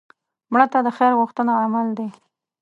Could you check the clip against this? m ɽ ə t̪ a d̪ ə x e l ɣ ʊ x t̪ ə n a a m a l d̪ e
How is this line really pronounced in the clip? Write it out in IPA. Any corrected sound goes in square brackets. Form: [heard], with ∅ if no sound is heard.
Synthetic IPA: m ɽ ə t̪ a d̪ ə x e [ɾ] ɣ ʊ x t̪ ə n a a m a l d̪ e